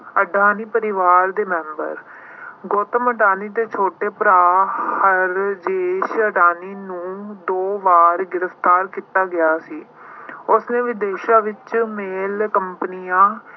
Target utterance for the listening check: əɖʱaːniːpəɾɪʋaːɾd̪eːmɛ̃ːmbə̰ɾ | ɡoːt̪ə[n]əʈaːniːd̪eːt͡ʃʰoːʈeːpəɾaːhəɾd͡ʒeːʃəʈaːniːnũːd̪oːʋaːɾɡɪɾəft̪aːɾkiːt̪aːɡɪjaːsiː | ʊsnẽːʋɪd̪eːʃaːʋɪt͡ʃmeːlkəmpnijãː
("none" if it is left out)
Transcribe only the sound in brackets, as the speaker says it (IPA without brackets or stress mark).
m